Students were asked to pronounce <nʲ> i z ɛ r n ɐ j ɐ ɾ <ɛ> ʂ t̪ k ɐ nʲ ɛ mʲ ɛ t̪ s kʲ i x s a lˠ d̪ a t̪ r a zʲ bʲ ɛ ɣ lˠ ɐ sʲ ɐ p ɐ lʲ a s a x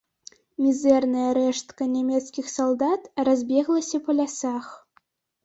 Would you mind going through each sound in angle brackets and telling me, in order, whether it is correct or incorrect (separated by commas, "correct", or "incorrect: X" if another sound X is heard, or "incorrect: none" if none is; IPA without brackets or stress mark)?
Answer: incorrect: mʲ, correct